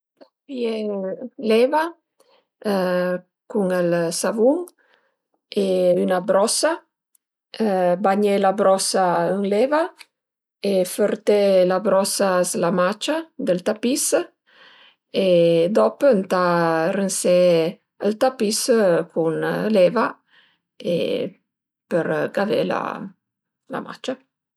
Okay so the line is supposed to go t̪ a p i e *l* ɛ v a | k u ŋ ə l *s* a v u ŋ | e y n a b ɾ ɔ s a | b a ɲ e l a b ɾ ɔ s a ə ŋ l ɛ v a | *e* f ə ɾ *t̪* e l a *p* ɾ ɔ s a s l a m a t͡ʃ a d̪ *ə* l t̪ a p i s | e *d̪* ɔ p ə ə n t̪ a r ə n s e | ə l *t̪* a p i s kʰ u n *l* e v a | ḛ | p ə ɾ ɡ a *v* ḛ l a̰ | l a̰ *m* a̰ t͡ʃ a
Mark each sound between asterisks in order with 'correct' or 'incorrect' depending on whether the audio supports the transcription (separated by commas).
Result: correct, correct, correct, correct, incorrect, correct, correct, correct, correct, correct, correct